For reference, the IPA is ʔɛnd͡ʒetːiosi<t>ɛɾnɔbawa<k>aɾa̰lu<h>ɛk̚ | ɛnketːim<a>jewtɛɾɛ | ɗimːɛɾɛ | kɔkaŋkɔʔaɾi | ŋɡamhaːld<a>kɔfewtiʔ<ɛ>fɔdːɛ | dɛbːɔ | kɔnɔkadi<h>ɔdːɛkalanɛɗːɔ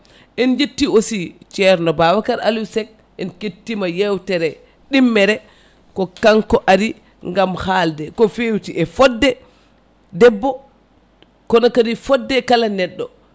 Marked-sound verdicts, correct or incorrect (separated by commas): incorrect, correct, incorrect, correct, incorrect, correct, incorrect